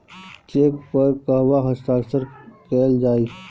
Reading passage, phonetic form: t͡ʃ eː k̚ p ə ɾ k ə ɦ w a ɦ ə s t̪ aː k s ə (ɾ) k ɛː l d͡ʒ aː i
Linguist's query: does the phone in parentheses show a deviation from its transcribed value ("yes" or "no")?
no